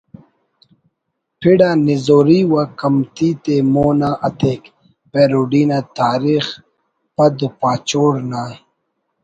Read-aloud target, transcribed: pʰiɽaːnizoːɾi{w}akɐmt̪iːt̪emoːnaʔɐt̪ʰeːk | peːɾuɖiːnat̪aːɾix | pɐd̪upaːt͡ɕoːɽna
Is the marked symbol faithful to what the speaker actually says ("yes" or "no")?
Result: yes